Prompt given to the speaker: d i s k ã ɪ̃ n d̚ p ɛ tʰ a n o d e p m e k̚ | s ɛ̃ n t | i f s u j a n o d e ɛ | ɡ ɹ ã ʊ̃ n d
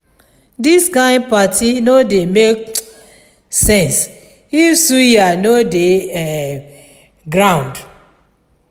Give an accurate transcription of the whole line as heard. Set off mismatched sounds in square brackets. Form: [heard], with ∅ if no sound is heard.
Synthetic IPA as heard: d i s k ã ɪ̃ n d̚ p [a] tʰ [i] n o d e [∅] m e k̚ | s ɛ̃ n [s] | i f s u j a n o d e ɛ | ɡ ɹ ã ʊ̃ n d